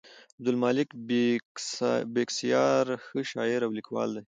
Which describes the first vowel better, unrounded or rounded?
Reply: unrounded